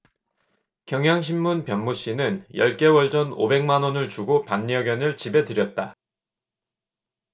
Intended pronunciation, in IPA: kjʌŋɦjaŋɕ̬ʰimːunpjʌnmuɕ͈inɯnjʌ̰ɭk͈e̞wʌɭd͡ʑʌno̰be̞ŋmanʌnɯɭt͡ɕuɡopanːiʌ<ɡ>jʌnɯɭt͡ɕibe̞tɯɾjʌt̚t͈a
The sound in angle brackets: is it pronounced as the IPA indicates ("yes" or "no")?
yes